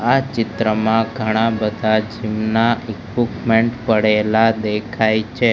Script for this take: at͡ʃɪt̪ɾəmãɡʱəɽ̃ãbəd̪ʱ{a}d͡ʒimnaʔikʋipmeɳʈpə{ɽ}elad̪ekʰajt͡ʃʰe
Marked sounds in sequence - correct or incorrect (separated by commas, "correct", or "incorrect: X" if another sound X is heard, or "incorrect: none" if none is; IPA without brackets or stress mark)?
correct, correct